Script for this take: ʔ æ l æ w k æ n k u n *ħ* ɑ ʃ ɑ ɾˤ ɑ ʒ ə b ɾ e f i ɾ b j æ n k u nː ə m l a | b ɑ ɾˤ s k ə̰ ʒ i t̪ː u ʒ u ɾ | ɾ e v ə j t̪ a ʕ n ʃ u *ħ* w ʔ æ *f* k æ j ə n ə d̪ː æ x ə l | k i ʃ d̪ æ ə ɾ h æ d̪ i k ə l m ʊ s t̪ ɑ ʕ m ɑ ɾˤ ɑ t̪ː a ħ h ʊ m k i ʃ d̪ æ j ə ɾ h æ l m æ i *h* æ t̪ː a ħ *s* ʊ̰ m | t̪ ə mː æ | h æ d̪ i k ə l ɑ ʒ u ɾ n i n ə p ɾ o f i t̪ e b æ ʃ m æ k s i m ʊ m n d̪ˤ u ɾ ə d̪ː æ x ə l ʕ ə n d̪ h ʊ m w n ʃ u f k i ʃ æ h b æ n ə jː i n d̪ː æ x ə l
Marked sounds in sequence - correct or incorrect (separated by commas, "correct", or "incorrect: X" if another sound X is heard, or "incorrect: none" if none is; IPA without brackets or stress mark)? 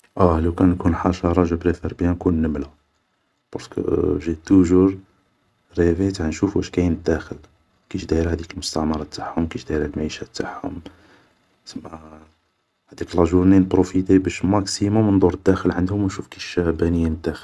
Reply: correct, incorrect: f, incorrect: ʃ, incorrect: ʃ, incorrect: h